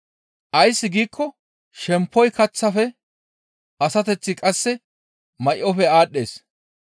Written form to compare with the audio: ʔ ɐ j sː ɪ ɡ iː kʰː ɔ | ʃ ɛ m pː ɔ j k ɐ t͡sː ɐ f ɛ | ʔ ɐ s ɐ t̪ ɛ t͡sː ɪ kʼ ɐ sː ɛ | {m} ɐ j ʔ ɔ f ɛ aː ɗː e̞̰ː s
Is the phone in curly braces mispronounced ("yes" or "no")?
no